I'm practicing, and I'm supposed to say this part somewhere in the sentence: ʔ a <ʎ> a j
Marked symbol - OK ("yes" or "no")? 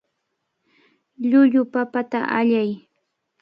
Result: yes